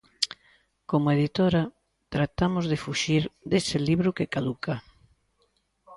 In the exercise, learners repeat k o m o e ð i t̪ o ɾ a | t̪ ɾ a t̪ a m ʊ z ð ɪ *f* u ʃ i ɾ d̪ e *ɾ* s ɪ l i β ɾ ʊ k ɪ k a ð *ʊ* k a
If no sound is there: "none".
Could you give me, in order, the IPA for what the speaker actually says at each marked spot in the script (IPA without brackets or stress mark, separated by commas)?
f, none, u